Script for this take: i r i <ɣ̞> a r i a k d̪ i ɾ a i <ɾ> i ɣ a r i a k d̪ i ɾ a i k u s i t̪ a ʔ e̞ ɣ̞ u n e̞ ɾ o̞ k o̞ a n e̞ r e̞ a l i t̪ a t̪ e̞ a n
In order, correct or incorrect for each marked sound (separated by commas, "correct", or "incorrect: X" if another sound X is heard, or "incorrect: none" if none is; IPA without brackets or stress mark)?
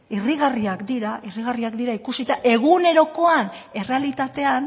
correct, incorrect: r